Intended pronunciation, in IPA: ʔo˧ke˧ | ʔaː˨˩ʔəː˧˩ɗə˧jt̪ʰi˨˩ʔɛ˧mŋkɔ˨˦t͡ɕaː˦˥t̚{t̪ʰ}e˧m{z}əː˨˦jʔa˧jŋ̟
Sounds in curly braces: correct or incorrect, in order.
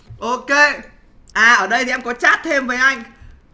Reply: correct, incorrect: v

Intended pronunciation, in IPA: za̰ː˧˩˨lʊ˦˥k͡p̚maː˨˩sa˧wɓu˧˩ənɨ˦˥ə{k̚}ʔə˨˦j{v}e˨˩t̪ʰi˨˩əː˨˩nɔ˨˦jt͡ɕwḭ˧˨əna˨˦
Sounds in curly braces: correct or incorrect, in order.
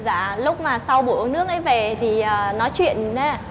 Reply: correct, correct

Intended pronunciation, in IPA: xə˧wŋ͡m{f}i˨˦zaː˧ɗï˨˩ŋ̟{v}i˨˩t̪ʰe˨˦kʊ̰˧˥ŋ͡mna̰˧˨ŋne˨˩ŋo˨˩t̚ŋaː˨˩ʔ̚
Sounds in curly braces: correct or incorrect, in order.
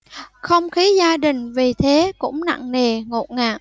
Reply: incorrect: x, correct

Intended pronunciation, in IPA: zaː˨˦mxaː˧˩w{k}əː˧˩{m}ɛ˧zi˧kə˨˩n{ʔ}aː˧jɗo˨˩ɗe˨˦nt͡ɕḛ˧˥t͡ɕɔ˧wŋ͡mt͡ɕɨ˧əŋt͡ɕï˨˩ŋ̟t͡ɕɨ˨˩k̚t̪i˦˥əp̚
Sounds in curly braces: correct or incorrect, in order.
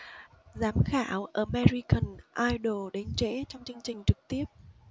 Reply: incorrect: ʔ, correct, correct

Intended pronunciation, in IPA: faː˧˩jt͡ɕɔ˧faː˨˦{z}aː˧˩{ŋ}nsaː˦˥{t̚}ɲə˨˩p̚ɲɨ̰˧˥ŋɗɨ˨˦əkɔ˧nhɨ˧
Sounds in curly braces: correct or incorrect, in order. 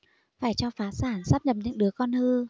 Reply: incorrect: s, incorrect: none, incorrect: p̚

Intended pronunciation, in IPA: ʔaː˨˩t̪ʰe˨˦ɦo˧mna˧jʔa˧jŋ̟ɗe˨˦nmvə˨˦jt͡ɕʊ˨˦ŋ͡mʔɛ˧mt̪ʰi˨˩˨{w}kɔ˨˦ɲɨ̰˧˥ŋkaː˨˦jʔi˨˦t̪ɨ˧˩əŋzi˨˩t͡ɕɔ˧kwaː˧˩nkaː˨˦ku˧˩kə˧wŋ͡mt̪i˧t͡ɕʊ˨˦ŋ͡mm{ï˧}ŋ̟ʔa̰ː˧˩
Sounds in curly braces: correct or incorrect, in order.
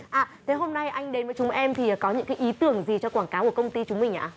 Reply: incorrect: none, incorrect: ï˨˩

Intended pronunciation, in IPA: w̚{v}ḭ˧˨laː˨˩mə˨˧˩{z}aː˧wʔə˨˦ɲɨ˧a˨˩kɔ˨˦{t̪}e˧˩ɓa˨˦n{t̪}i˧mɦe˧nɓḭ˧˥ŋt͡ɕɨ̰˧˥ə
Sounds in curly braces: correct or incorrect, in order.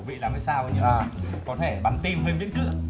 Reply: correct, incorrect: s, incorrect: t̪ʰ, correct

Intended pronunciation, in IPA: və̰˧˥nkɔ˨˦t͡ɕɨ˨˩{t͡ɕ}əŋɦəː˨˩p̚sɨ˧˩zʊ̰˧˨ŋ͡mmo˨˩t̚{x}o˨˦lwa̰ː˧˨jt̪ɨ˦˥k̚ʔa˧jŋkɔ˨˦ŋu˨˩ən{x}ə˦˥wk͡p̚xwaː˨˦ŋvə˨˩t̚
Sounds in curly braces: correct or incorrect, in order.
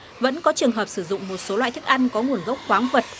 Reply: incorrect: none, incorrect: s, incorrect: ɣ

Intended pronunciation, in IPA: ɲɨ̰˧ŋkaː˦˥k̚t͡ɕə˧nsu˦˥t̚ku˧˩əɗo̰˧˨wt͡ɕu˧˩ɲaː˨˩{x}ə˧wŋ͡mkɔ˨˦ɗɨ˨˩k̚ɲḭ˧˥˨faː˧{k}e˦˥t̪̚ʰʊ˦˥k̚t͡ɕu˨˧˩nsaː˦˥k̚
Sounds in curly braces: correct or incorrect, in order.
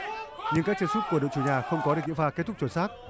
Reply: correct, correct

